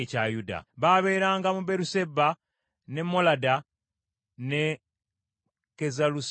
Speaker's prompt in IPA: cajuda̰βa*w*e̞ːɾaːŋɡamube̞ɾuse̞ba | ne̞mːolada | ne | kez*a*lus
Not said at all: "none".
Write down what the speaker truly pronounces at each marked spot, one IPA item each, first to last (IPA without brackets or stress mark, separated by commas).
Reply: β, a